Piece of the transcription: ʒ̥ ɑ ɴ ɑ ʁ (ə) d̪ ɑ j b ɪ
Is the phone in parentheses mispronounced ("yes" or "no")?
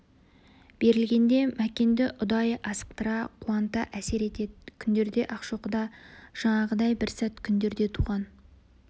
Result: no